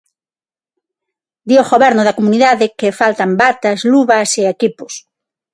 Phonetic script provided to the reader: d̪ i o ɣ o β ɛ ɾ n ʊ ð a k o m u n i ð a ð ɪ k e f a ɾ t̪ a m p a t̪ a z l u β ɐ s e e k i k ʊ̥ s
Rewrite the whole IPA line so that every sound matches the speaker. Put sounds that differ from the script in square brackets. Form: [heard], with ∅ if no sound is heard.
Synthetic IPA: d̪ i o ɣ o β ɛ ɾ n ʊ ð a k o m u n i ð a ð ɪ k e f a [l] t̪ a m [b] a t̪ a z l u β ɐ s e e k i [p] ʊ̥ s

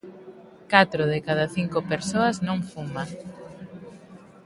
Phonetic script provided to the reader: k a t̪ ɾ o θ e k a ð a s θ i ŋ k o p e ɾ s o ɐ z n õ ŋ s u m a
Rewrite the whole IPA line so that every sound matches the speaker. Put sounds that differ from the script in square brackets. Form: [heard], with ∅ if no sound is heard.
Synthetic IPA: k a t̪ ɾ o [ð] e k a ð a [∅] θ i ŋ k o p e ɾ s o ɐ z n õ ŋ [f] u m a

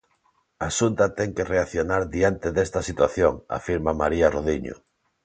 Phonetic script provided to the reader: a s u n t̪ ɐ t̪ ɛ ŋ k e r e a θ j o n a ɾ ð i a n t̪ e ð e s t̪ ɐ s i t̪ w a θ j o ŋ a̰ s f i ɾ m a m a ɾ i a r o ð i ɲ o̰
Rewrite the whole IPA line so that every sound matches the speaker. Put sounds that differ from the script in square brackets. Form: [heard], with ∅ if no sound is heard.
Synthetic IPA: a s u n t̪ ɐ t̪ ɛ ŋ k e r e a θ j o n a ɾ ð i a n t̪ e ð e s t̪ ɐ s i t̪ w a θ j o ŋ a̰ [∅] f i ɾ m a m a ɾ i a r o ð i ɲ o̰

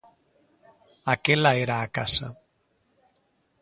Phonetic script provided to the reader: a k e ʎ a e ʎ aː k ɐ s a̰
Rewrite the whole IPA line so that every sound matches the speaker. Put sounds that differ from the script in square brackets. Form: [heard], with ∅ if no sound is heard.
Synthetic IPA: a k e [l] a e [ɾ] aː k [a] s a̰

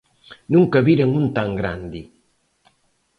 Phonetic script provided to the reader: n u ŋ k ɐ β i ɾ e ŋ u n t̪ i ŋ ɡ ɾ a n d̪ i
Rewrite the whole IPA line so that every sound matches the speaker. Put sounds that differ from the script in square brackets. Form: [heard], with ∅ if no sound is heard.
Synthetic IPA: n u ŋ k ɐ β i ɾ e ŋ u n t̪ [a] ŋ ɡ ɾ a n d̪ i

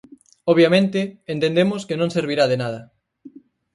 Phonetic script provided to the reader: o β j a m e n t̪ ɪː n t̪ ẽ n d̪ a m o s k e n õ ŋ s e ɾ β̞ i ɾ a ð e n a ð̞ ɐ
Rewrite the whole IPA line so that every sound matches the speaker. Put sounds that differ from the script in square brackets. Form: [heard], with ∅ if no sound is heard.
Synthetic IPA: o β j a m [ẽ] n t̪ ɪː n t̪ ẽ n d̪ [e] m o s k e n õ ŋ s e ɾ β̞ i ɾ a ð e n a ð̞ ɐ

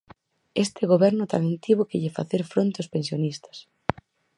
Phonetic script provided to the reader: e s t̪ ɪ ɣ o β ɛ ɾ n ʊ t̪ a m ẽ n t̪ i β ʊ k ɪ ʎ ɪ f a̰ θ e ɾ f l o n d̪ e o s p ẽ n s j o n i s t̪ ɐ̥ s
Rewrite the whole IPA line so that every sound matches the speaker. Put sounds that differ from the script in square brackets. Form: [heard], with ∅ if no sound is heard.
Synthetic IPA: e s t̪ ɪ ɣ o β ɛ ɾ n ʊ t̪ a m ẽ n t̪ i β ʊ k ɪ ʎ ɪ f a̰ θ e ɾ f [ɾ] o n [t̪] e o s p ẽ n s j o n i s t̪ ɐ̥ s

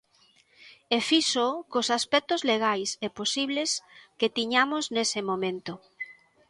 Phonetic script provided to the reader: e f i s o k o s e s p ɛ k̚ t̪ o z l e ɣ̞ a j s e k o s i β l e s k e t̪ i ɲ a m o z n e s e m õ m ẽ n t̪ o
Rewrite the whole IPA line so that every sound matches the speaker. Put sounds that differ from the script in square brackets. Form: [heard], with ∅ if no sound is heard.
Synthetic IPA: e f i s o k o s [a] s p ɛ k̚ t̪ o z l e ɣ̞ a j s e [p] o s i β l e s k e t̪ i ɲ a m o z n e s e m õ m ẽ n t̪ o

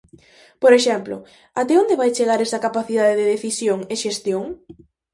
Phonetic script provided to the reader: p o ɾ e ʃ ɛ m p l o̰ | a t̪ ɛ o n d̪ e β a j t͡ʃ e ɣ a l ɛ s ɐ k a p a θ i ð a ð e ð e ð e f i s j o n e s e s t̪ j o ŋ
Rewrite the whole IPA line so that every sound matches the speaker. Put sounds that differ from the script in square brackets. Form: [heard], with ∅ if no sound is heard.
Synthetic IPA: p o ɾ e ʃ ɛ m p l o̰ | a t̪ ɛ o n d̪ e β a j t͡ʃ e ɣ a [ɾ] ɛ s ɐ k a p a θ i ð a ð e ð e ð e [θ] i s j o [ŋ] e [ʃ] e s t̪ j o ŋ

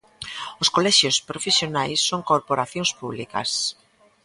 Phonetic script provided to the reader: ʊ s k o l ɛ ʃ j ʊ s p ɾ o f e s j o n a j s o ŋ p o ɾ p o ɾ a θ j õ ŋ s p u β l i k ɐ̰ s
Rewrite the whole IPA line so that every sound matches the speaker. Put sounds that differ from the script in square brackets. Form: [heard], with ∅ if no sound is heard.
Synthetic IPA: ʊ s k o l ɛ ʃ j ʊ s p ɾ o f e s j o n a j [sː] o ŋ [k] o ɾ p o ɾ a θ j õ ŋ s p u β l i k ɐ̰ s

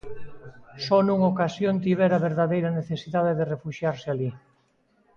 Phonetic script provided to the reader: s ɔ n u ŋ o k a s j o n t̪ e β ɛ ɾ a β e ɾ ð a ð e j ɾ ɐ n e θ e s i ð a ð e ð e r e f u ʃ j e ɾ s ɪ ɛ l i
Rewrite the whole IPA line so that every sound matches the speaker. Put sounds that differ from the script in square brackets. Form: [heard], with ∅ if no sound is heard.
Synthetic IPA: s ɔ n u ŋ o k a s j o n t̪ [i] β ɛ ɾ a β e ɾ ð a ð e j ɾ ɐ n e θ e s i ð a ð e ð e r e f u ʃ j [a] ɾ s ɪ [a] l i

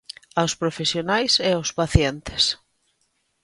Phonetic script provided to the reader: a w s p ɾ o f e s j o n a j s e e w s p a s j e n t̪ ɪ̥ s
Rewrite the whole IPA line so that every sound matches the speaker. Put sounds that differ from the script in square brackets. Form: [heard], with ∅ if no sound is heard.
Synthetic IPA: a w s p ɾ o f e s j o n a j s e [a] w s p a [θ] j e n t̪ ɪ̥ s

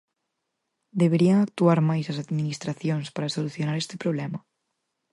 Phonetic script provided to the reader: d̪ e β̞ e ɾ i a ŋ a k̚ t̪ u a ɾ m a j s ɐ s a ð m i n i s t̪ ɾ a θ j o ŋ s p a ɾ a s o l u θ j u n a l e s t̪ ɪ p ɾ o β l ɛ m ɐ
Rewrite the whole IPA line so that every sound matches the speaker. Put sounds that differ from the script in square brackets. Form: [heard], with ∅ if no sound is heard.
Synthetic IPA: d̪ e β̞ e ɾ i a ŋ a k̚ t̪ u a ɾ m a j s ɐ s a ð m i n i s t̪ ɾ a θ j o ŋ s p a ɾ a s o l u θ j [o] n a [ɾ] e s t̪ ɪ p ɾ o β l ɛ m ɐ

